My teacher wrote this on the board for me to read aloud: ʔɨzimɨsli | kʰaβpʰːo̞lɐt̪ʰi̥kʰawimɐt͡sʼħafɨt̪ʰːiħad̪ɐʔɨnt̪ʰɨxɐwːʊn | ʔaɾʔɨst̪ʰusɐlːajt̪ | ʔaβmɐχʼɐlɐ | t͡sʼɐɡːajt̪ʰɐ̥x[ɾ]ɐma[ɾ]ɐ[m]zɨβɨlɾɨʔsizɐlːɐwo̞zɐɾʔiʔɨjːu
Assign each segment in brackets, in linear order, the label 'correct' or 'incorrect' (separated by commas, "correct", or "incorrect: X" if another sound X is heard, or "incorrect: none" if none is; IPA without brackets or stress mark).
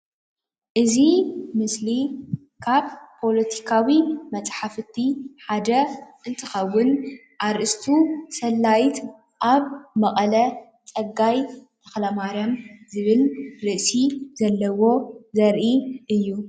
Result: incorrect: l, correct, correct